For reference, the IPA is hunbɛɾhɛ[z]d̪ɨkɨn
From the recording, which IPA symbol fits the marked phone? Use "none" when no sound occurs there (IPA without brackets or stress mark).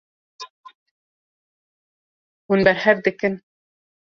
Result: v